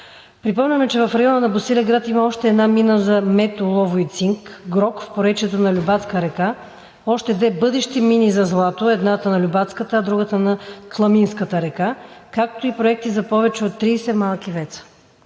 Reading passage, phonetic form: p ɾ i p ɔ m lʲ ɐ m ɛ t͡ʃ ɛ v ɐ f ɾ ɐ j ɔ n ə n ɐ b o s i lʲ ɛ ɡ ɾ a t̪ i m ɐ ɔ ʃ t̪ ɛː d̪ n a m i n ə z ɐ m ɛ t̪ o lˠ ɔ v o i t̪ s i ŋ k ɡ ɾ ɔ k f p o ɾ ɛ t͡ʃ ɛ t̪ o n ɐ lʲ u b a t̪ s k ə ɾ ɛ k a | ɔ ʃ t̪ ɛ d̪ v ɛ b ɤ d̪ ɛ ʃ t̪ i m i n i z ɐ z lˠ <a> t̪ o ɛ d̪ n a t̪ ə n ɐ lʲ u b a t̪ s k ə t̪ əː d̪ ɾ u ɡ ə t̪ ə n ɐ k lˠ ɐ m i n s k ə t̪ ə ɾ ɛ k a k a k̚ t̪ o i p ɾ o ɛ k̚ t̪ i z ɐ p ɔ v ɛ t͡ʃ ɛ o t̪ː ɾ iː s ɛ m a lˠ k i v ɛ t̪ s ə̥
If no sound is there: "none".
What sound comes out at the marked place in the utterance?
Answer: a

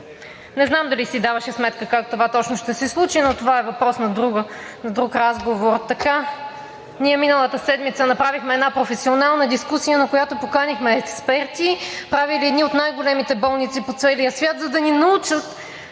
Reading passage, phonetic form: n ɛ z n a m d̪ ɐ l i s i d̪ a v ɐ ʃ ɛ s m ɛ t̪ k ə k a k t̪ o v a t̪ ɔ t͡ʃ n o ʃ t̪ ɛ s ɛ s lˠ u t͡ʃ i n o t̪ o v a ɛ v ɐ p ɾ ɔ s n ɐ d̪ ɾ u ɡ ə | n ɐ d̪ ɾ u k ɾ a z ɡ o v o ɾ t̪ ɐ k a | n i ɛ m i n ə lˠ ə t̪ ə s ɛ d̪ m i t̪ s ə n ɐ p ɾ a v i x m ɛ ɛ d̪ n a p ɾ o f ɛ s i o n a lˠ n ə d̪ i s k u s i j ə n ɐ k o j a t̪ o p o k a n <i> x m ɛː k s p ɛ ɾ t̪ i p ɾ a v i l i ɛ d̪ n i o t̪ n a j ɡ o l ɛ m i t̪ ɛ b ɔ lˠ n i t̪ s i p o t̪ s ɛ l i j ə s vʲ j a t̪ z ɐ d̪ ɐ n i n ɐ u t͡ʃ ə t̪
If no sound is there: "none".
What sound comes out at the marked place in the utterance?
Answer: i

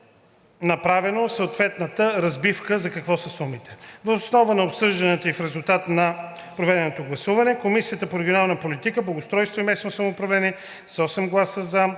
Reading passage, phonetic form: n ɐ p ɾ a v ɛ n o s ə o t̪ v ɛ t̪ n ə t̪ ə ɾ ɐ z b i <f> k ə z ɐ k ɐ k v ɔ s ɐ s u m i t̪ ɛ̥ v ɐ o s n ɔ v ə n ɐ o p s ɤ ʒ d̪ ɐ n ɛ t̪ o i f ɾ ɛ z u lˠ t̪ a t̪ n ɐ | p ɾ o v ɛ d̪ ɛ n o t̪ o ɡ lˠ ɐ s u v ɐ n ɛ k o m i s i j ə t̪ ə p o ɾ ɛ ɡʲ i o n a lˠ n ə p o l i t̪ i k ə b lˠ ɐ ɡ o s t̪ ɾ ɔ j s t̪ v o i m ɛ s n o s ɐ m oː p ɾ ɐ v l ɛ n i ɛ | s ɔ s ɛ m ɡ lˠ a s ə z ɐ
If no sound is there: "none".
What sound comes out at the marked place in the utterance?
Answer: f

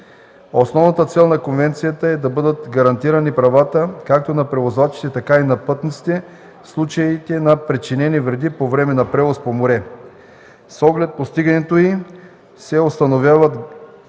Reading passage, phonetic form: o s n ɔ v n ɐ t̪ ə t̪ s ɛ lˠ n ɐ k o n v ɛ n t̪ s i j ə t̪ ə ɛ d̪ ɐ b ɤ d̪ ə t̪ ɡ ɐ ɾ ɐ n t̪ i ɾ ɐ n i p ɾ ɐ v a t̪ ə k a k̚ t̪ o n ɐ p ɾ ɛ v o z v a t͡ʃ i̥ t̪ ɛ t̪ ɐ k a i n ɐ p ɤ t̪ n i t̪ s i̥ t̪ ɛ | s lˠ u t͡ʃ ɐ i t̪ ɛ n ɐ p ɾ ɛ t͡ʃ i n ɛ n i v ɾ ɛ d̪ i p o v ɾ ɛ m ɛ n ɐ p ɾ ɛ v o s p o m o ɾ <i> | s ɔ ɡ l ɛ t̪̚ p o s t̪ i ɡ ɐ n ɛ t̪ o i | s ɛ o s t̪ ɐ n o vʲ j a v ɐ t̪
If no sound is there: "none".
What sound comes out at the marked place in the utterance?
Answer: ɛ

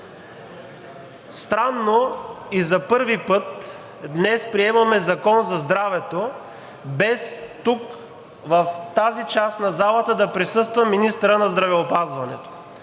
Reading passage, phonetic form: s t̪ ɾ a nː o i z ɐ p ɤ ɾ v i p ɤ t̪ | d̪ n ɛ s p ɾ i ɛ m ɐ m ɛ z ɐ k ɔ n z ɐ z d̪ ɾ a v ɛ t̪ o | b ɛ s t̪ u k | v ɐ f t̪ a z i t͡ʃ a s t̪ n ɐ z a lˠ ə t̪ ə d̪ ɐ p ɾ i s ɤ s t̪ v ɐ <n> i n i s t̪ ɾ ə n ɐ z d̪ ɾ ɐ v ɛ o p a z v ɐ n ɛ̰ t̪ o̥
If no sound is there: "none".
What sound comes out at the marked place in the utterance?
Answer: m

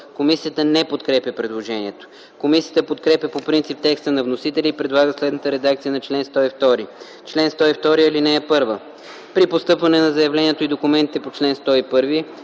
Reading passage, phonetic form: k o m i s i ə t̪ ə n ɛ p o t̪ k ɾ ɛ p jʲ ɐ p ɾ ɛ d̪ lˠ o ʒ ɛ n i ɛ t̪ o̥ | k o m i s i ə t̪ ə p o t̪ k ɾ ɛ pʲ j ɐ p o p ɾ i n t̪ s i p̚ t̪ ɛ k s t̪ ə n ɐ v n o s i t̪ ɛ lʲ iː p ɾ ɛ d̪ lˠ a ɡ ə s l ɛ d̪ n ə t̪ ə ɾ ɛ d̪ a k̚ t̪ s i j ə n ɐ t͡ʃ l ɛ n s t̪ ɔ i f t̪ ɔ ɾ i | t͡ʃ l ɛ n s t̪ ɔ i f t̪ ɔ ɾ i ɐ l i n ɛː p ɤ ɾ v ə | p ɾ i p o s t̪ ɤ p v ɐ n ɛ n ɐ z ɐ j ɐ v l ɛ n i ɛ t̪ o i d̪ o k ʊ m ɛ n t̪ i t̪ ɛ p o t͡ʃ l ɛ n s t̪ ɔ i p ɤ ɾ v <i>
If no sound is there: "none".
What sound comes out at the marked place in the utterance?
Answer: i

